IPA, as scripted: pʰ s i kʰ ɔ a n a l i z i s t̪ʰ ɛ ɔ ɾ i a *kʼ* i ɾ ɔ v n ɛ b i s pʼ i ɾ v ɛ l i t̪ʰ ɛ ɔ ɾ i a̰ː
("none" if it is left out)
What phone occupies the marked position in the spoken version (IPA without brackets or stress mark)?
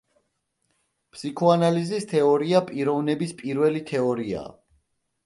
pʼ